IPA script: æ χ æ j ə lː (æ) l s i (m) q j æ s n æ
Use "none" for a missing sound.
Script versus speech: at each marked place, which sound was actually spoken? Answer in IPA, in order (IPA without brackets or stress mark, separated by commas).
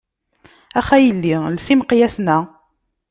i, m